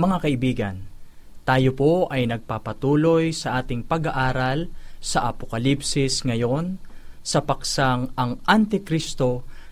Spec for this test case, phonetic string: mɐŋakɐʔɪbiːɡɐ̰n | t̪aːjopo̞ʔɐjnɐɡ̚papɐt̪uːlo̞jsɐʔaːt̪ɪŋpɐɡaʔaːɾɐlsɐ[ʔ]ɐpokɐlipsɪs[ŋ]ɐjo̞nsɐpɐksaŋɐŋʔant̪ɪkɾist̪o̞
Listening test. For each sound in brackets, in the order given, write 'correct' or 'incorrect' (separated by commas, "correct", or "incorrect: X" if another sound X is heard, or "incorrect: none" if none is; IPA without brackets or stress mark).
correct, correct